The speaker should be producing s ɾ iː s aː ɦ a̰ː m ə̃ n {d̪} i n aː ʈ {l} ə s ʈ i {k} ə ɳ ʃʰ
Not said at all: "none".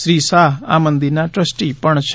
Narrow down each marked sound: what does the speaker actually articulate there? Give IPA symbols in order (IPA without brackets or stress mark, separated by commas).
d̪, ɾ, p